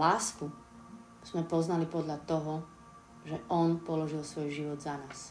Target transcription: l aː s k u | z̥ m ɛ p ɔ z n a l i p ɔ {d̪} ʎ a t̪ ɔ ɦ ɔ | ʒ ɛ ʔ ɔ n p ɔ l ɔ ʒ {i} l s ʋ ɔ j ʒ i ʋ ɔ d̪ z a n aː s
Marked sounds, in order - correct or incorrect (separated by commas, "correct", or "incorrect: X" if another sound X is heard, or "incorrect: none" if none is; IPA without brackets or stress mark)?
correct, correct